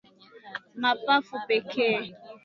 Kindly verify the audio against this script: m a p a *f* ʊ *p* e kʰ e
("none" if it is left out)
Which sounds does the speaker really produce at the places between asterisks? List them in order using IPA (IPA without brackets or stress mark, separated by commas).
f, p